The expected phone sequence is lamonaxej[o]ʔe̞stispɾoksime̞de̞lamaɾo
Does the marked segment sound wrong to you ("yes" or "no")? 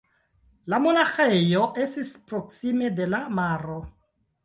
no